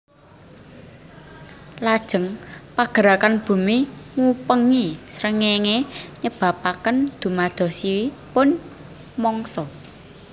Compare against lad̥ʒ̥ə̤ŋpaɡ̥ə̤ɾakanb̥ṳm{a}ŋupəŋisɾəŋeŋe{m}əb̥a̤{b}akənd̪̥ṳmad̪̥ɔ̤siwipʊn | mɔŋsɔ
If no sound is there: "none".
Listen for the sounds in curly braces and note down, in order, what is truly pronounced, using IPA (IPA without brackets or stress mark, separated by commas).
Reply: i, ɲ, p